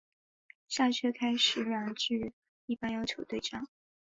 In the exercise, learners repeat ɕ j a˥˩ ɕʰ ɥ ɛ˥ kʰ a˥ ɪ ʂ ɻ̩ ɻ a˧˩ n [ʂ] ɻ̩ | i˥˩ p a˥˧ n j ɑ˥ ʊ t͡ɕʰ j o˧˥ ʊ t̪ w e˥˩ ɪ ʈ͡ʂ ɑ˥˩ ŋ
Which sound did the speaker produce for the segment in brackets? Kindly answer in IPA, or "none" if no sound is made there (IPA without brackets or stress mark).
ʈ͡ʂ